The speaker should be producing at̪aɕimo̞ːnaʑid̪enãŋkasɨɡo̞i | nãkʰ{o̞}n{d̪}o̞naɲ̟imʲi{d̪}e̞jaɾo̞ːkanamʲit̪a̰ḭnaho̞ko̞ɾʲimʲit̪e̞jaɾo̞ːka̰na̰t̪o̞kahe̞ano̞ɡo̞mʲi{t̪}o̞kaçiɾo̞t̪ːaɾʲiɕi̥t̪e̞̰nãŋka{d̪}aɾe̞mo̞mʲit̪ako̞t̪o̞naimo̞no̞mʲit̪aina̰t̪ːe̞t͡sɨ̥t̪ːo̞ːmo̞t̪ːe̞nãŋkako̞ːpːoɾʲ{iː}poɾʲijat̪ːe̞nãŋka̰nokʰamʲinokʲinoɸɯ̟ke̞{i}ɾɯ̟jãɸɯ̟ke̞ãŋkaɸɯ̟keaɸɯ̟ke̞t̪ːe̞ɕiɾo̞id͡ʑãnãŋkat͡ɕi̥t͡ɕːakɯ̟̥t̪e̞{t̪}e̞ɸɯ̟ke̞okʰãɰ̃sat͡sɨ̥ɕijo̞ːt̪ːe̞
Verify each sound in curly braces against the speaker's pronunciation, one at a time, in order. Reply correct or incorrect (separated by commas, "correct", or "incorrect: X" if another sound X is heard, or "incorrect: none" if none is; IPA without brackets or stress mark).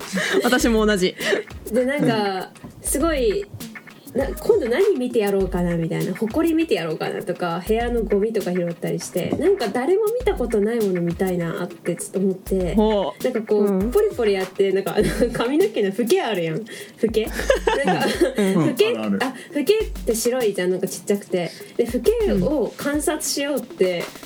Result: incorrect: õ̞, correct, incorrect: t̪, correct, correct, incorrect: i, incorrect: a, incorrect: d̪